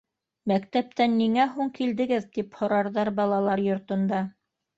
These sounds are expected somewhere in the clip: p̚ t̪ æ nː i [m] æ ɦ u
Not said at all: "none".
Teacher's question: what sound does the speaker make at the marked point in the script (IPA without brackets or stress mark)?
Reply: ŋ